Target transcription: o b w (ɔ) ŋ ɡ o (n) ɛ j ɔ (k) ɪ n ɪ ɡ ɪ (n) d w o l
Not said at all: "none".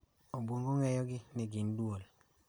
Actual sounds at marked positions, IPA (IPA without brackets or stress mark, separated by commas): o, ŋ, ɡ, n